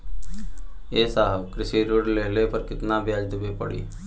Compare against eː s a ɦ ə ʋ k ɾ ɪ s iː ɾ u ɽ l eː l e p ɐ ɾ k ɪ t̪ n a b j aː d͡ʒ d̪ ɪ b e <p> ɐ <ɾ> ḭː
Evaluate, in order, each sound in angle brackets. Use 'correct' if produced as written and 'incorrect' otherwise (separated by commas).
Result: correct, incorrect